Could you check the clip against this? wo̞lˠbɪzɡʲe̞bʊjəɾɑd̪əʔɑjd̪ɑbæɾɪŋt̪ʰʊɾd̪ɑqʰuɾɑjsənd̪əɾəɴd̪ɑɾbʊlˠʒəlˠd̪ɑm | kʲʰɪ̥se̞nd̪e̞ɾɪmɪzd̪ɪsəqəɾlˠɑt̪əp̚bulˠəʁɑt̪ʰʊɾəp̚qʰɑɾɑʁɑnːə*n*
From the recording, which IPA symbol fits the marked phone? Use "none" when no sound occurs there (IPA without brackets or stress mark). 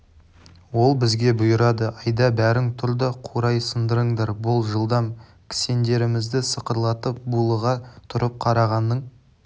ɴ